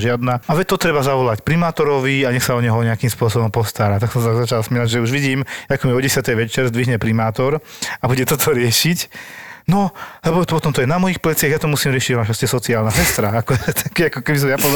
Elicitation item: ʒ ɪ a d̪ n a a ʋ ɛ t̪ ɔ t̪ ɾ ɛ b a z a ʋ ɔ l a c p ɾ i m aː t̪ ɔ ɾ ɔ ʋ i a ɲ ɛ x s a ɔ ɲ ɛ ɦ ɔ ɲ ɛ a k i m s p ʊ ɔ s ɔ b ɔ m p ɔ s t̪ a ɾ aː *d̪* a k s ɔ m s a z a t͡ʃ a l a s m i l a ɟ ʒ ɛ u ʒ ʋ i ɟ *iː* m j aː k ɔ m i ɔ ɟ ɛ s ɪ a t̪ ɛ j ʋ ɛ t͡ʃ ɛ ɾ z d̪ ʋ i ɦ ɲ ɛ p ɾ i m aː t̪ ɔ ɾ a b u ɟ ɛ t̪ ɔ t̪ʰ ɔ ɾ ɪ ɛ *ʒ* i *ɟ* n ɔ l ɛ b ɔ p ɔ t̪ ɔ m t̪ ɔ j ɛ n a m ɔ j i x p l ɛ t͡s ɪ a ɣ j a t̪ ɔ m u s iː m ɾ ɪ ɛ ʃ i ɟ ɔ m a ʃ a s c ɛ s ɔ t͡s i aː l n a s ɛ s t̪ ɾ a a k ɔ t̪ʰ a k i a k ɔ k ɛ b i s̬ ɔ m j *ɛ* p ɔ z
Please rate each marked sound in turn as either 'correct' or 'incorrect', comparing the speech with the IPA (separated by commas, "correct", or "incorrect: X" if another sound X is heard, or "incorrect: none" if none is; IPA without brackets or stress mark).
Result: incorrect: t̪, correct, incorrect: ʃ, incorrect: c, incorrect: a